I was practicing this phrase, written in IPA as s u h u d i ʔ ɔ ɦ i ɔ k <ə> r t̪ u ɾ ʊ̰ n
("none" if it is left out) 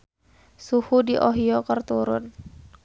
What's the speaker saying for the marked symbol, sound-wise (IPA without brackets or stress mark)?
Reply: ə